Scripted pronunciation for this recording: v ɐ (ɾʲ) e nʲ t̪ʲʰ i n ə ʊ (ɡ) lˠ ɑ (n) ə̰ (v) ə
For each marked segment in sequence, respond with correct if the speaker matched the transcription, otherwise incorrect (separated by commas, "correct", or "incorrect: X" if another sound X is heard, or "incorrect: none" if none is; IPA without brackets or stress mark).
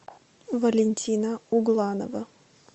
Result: incorrect: lʲ, correct, correct, correct